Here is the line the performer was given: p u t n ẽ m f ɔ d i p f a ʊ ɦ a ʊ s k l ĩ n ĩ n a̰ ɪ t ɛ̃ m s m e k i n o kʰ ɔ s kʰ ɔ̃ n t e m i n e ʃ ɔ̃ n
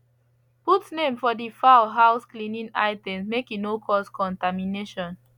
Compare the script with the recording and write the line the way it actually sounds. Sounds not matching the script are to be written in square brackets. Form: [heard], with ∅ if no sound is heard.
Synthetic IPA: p u t n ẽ m f ɔ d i [∅] f a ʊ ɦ a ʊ s k l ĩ n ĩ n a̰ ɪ t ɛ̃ m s m e k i n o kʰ ɔ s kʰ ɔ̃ n t [a] m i n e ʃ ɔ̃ n